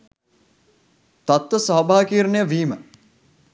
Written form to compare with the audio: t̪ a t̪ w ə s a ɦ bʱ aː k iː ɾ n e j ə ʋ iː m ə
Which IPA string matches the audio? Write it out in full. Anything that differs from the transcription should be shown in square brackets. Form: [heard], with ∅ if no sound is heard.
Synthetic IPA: t̪ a t̪ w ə s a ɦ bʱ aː k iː ɾ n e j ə ʋ iː m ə